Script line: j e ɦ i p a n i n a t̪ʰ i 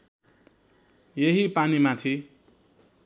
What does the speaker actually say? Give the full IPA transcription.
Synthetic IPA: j e ɦ i p a n i m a t̪ʰ i